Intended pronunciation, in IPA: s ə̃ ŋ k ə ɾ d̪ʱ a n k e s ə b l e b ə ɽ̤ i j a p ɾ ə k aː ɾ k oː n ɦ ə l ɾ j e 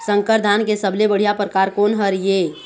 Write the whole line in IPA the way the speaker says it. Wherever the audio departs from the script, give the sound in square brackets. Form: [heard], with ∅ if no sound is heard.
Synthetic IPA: s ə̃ ŋ k ə ɾ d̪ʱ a n k e s ə b l e b ə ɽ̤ i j a p ɾ ə k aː ɾ k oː n ɦ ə [∅] ɾ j e